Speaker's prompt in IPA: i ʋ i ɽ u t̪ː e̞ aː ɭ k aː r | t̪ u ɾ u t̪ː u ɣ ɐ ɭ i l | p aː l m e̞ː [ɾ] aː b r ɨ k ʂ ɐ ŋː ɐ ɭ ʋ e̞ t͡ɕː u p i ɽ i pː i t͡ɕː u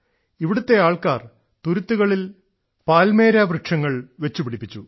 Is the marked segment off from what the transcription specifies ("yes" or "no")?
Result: no